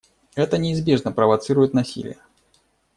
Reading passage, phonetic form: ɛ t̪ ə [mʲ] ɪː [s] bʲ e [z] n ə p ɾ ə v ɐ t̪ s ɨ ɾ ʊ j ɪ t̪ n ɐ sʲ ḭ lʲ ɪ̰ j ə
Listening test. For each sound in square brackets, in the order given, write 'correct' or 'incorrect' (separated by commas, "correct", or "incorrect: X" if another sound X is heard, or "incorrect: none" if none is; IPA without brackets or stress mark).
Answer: incorrect: nʲ, incorrect: z, incorrect: ʐ